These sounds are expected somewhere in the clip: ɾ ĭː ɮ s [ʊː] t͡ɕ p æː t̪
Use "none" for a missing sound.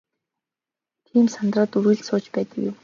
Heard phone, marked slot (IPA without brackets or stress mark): ʊː